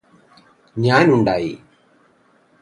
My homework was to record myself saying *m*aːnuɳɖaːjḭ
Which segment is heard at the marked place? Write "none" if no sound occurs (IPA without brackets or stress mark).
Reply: ɲ